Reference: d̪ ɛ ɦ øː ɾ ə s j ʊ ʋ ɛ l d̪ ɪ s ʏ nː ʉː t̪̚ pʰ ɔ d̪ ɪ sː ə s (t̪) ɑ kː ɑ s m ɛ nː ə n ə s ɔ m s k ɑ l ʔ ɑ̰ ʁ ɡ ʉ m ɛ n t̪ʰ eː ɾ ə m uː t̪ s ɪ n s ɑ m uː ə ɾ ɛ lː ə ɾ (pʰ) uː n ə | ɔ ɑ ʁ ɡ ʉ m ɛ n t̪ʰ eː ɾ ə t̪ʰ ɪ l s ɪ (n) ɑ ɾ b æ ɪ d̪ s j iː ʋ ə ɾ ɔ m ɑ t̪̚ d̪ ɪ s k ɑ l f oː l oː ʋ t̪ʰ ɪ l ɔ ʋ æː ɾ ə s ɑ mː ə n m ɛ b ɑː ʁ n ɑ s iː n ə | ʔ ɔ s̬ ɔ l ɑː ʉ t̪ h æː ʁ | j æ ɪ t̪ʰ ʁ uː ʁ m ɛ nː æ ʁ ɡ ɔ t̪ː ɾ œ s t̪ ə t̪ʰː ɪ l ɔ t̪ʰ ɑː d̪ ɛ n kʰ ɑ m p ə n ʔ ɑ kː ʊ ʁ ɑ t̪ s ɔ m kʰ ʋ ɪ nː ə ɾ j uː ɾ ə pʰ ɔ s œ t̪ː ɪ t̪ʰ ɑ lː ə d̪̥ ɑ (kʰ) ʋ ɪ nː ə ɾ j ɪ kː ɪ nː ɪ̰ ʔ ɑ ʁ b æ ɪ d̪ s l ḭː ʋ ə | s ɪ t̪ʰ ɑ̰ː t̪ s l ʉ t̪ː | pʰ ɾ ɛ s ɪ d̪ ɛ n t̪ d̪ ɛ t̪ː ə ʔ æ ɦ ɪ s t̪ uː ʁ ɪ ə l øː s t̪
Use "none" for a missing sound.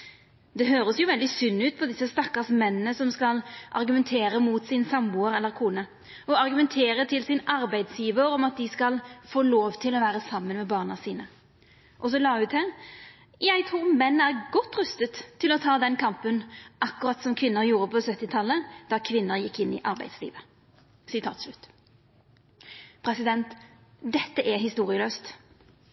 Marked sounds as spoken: t̪, kʰ, n, kʰ

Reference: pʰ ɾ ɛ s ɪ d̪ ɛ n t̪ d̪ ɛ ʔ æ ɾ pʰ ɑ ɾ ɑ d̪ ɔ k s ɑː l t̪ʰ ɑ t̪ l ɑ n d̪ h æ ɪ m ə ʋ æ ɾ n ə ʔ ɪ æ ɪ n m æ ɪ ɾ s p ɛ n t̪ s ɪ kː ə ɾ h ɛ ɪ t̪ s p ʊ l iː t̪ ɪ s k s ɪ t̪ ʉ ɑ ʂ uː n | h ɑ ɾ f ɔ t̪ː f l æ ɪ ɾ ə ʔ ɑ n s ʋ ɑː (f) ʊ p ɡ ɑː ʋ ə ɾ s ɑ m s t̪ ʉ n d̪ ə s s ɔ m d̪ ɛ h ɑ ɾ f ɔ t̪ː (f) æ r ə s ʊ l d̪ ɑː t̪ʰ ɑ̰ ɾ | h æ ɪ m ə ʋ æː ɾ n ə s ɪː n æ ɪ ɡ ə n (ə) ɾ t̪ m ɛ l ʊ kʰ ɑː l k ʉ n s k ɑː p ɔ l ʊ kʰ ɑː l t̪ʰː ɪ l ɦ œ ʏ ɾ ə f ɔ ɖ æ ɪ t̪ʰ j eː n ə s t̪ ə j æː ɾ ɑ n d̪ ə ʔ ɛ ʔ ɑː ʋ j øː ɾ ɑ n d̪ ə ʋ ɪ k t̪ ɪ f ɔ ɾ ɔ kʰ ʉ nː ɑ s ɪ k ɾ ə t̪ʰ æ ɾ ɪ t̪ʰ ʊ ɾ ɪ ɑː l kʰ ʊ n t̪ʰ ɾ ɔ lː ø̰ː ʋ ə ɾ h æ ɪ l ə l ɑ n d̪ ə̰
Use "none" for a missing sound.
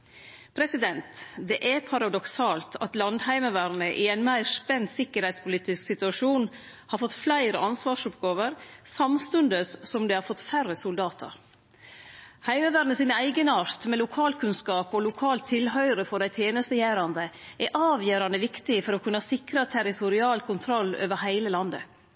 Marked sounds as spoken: ʂ, f, ɑ

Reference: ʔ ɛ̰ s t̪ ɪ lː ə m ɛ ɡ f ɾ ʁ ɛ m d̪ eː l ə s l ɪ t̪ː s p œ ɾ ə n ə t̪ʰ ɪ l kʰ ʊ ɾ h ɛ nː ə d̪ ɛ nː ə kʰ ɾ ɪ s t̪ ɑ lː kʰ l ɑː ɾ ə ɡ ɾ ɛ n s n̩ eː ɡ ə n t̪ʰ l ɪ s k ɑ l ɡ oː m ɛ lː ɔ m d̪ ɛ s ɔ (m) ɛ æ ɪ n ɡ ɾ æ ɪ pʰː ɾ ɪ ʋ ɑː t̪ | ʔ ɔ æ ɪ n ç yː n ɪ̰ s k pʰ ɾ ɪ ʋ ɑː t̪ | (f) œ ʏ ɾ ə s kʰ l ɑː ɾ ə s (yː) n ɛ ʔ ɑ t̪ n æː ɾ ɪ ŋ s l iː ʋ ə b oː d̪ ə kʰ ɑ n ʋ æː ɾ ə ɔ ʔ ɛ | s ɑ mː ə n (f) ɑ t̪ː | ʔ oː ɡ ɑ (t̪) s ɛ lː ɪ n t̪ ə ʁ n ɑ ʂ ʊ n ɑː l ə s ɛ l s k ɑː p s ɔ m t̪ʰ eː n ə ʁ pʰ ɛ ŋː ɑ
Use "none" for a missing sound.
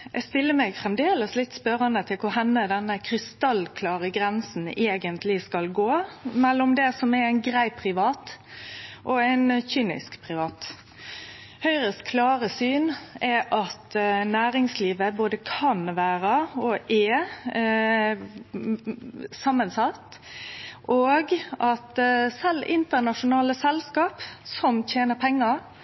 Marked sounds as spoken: m, h, yː, s, t̪

